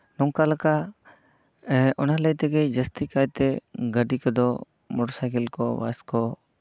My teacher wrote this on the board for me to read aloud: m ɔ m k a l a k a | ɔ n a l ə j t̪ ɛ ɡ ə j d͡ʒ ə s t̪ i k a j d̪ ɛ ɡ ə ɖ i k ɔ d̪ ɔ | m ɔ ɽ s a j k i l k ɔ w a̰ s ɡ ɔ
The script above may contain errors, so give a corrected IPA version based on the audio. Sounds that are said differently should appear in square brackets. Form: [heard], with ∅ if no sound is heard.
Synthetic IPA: [n] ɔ [ŋ] k a l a k a | ɔ n a l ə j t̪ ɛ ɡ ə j d͡ʒ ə s t̪ i k a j [t̪] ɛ ɡ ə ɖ i k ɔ d̪ ɔ | m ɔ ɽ s a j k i l k ɔ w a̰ s [k] ɔ